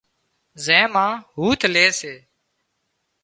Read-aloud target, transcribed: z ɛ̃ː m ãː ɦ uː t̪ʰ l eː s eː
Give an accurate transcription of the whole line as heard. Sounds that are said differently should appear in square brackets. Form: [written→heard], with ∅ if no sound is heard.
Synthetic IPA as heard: z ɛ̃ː m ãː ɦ uː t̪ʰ l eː s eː